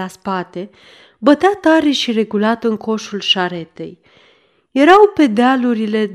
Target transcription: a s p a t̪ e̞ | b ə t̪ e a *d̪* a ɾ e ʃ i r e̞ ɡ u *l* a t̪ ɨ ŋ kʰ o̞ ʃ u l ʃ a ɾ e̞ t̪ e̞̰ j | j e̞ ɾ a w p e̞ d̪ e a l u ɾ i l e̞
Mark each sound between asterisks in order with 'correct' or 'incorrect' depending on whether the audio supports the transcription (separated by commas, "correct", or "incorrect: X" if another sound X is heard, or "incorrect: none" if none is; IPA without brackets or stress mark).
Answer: incorrect: t̪, correct